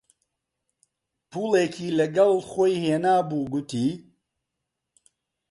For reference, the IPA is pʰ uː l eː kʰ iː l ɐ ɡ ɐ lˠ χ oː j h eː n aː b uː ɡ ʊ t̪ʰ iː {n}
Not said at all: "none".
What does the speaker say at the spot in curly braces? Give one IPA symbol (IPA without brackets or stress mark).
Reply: none